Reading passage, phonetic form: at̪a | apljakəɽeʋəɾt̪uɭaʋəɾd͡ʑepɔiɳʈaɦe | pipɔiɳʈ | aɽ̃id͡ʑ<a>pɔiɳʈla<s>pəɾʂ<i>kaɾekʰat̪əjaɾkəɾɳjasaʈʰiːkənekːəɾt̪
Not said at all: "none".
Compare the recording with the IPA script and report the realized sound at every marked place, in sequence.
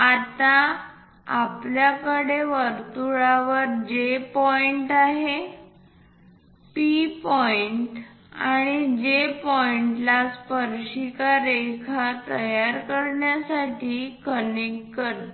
e, s, i

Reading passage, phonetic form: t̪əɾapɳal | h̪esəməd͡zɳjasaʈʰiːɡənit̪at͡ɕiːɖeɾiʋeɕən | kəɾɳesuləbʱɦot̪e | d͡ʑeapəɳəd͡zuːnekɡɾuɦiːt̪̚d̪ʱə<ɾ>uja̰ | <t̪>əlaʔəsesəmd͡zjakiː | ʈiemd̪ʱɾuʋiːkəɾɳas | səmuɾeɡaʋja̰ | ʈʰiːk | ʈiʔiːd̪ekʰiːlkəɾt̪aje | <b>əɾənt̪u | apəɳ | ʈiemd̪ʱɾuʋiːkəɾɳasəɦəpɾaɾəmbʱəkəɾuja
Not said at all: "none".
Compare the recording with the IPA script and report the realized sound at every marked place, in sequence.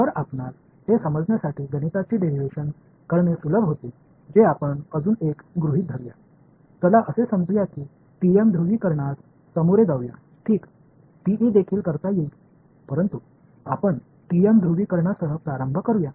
ɾ, t̪, p

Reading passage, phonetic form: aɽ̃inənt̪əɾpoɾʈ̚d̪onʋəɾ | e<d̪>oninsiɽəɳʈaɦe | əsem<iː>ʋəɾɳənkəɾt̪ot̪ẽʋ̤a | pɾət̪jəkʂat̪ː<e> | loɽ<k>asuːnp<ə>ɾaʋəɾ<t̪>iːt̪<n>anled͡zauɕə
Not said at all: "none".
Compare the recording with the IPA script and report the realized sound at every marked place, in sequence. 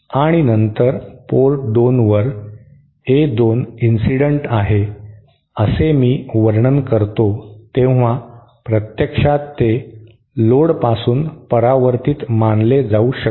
d̪, iː, e, p, ə, t̪, m

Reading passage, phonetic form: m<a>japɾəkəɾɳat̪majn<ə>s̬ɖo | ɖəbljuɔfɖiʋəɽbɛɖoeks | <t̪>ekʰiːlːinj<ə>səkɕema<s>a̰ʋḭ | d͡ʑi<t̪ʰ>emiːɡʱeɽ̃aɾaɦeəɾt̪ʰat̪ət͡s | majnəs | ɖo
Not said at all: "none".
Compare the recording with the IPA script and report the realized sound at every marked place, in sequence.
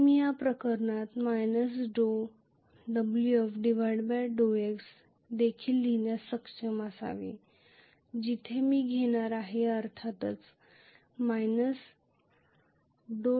i, ə, d̪, a, s, t̪ʰ

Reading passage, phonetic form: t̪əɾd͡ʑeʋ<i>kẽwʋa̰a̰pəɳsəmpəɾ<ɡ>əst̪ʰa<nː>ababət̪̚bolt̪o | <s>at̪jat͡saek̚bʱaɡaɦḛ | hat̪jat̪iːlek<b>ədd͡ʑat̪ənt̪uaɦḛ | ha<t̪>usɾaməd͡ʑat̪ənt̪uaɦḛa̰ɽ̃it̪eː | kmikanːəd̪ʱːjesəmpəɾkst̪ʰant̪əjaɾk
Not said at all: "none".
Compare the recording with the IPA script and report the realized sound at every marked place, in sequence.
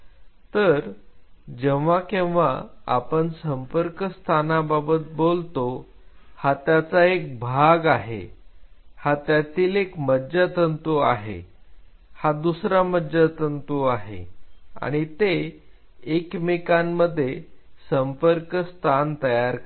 a, k, n, h, m, d̪

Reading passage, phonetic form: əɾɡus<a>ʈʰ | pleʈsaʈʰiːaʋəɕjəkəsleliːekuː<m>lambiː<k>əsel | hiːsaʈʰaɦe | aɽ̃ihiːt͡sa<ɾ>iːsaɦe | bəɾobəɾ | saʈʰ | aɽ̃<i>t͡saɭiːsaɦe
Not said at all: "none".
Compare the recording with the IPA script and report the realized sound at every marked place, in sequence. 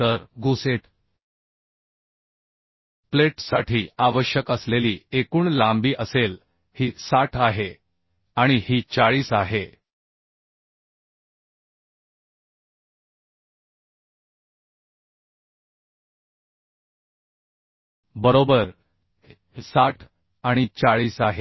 e, ɳ, ʔ, ɭ, i

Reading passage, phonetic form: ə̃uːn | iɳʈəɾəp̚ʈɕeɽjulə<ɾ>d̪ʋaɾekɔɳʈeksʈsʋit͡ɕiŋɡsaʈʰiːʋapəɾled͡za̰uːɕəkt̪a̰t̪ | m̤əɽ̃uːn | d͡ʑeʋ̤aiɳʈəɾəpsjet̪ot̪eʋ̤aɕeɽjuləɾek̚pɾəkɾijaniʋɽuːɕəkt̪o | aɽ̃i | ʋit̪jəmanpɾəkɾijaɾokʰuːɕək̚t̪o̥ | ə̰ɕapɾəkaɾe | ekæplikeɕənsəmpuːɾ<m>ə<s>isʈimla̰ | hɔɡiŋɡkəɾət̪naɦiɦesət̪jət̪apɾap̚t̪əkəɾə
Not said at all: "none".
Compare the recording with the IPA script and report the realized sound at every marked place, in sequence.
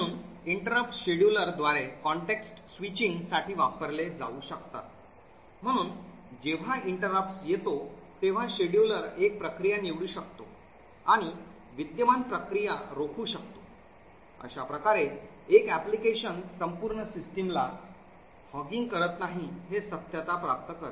ɾ, ɳ, s

